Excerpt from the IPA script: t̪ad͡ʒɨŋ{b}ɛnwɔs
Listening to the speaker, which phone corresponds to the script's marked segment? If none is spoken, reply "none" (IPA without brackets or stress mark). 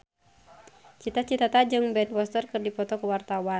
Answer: b